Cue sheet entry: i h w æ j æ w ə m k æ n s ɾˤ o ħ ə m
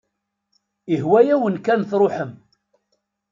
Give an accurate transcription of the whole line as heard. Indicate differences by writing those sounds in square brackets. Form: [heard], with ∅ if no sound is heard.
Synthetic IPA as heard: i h w æ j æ w ə [n] k æ n [θ] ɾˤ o ħ ə m